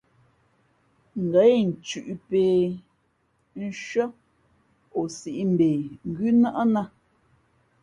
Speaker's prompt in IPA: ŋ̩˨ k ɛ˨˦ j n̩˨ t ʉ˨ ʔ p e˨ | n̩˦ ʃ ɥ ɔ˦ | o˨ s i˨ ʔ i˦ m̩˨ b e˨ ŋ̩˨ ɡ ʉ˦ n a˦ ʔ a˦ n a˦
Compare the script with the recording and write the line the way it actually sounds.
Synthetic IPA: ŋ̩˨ ɡ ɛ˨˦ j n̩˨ t͡ʃ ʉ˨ ʔ p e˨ | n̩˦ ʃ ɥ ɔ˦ | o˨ s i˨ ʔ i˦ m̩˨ b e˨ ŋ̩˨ ɡ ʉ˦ n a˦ ʔ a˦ n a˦